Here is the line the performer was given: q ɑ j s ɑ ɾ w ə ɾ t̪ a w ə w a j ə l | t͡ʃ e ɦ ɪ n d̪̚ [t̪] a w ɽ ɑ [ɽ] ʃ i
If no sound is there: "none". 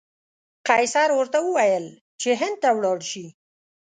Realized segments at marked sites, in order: t̪, ɽ

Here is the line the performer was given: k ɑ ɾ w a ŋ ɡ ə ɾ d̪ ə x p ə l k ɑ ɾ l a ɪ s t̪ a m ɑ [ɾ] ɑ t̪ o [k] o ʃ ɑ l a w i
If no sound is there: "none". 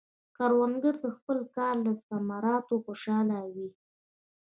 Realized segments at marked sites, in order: ɾ, x

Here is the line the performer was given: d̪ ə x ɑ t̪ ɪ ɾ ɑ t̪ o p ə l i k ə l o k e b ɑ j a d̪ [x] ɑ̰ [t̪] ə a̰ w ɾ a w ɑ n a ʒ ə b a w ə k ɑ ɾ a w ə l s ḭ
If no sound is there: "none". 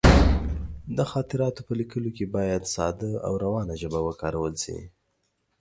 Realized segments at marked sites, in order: s, d̪

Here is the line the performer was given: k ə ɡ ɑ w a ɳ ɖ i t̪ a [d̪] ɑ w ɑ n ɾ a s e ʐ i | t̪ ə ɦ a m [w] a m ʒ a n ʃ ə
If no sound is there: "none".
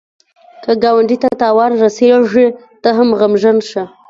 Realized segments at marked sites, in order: t̪, ɣ

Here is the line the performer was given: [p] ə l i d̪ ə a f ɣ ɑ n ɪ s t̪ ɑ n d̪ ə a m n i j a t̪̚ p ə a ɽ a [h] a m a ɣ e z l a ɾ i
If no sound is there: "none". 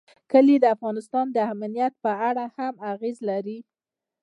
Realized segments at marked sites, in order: k, h

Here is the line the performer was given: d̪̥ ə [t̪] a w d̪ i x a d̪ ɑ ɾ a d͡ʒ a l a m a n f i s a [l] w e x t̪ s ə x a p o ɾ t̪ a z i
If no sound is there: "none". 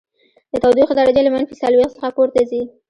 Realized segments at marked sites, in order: t̪, l

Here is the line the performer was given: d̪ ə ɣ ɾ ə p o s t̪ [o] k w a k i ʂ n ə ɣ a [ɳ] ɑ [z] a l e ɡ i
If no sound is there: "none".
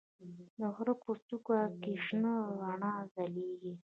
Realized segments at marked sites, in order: u, ɳ, z

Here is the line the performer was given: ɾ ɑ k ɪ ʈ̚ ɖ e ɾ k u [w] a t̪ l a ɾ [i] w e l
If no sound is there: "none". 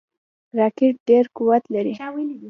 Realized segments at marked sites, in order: w, i

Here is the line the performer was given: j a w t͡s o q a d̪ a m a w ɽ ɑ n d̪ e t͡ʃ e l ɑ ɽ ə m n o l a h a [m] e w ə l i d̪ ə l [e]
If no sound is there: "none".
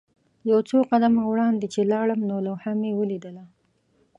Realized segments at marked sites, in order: m, a

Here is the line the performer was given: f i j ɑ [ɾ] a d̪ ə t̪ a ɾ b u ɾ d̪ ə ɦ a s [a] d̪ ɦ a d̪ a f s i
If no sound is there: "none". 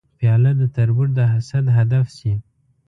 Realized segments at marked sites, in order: l, a

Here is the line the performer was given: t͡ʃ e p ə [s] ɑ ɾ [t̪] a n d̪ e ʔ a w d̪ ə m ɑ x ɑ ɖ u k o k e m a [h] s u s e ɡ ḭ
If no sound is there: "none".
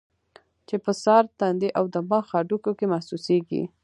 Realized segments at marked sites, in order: s, t̪, h

